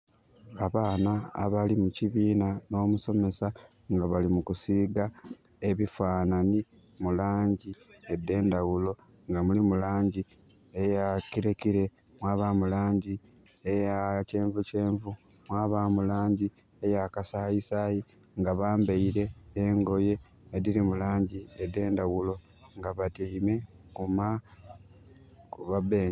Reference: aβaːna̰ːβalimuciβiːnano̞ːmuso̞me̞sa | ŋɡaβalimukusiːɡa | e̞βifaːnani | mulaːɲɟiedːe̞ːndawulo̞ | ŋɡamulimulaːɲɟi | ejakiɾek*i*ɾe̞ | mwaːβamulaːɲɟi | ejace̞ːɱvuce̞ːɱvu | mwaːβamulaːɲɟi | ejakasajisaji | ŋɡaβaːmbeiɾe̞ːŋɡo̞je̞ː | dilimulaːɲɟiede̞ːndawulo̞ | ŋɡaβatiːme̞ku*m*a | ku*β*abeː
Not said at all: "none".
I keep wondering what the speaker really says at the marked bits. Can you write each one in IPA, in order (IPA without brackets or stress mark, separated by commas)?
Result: i, m, β